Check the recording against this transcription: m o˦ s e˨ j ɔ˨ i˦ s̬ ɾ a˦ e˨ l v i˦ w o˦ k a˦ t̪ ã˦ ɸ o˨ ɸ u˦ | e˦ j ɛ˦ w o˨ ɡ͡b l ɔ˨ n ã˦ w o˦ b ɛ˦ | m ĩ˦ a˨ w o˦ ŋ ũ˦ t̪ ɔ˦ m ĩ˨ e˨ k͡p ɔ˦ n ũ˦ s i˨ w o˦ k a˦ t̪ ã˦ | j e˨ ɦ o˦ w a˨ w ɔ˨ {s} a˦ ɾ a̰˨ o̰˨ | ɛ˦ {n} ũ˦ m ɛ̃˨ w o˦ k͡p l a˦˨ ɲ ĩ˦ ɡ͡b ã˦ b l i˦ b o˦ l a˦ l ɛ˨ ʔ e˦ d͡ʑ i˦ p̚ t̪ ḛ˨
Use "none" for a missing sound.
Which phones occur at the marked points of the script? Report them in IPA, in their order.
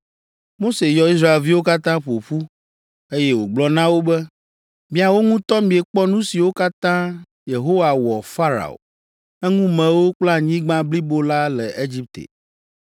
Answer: f, ŋ

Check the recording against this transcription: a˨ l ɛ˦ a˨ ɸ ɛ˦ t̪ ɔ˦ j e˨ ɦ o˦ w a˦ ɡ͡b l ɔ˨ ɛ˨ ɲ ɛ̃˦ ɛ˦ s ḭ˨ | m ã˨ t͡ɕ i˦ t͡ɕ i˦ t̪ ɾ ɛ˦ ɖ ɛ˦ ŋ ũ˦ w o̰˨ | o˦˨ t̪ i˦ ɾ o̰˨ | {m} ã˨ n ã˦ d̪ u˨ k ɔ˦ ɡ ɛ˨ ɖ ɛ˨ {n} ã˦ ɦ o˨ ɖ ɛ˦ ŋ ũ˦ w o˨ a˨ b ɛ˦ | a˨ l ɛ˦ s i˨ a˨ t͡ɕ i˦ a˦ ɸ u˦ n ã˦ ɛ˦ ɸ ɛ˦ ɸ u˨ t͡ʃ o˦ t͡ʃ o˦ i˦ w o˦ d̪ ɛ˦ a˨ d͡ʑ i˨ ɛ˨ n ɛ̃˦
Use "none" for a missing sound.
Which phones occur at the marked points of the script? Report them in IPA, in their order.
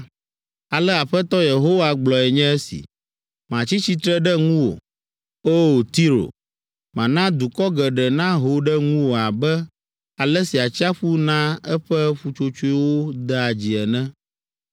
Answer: m, n

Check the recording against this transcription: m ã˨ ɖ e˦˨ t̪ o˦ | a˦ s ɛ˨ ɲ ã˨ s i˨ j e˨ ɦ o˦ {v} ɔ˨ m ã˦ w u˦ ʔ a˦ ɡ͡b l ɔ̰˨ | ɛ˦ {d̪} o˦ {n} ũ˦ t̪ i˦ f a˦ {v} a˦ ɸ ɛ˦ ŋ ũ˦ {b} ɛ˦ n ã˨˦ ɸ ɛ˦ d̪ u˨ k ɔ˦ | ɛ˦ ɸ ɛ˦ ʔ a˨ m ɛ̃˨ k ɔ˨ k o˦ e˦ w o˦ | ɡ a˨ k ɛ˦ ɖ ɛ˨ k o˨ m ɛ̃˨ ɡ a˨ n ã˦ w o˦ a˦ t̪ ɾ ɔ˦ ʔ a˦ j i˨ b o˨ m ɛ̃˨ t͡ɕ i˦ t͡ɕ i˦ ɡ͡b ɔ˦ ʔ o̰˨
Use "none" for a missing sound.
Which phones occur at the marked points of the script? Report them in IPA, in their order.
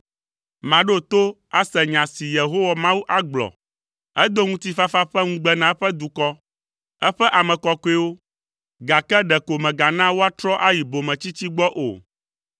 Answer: w, d̪, ŋ, f, ɡ͡b

